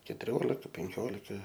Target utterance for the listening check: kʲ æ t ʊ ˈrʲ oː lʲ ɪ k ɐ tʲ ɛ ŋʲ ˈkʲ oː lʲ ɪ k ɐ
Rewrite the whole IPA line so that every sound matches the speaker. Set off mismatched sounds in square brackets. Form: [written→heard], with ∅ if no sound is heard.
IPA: kʲ [æ→ɛ] t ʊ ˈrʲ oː lʲ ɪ k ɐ [tʲ→pʲ] ɛ ŋʲ ˈkʲ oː lʲ ɪ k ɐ